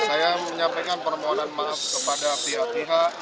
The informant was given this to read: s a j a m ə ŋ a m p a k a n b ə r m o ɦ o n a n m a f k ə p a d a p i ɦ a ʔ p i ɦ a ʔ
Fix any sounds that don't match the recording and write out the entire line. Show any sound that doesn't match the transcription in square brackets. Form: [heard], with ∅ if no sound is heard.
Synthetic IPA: s a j a m ə [ɲ] a m p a k a n [p] ə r m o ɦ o n a n m a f k ə p a d a p i ɦ a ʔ p i ɦ a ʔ